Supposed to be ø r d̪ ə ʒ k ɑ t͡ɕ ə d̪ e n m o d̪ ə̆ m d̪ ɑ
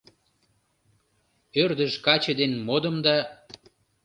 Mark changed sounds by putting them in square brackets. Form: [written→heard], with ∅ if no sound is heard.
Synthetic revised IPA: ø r d̪ ə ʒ k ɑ t͡ɕ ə d̪ e n m o d̪ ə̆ m d̪ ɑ